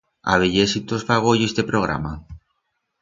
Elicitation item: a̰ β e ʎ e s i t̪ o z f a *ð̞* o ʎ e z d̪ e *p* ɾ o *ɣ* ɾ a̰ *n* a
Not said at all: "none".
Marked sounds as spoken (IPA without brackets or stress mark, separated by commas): ɣ̞, p, ɣ, m